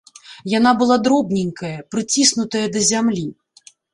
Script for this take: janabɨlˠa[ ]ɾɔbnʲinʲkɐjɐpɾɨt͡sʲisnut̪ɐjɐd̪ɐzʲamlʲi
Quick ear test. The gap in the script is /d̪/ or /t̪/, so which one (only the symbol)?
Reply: d̪